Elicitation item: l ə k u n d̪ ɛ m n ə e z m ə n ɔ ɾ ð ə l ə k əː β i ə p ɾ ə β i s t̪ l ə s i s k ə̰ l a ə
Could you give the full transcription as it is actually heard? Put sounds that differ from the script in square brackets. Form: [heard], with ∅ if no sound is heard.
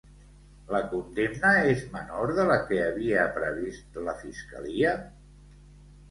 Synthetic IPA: l ə k u n d̪ [e] m n ə e z m ə n [o] ɾ ð ə l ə k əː β i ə p ɾ ə β i s t̪ l ə [f] i s k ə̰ l [i] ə